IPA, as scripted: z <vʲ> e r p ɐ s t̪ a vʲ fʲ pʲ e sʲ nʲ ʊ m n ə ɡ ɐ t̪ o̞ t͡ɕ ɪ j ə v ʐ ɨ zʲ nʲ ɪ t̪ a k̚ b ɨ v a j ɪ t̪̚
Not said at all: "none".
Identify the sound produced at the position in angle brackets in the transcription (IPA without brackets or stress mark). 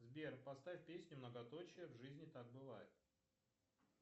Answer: bʲ